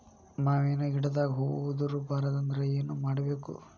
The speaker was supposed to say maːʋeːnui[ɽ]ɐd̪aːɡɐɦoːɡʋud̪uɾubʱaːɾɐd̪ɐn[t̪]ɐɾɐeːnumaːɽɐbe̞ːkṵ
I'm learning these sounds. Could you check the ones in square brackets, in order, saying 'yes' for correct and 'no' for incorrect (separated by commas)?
yes, no